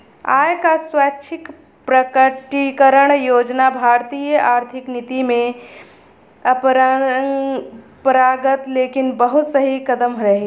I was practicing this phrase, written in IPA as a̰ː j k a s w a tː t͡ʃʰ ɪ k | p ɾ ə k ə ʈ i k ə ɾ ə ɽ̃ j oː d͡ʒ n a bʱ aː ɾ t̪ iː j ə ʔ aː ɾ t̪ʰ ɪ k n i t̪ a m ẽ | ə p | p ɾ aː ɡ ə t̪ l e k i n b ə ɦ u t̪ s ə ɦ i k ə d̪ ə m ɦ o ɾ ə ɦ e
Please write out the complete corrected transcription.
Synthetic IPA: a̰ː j k a s w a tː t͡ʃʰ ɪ k | p ɾ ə k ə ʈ i k ə ɾ ə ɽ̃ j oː d͡ʒ n a bʱ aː ɾ t̪ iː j ə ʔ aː ɾ t̪ʰ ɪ k n i t̪ i m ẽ | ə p | p ɾ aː ɡ ə t̪ l e k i n b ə ɦ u t̪ s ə ɦ i k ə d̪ ə m ɦ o ɾ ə ɦ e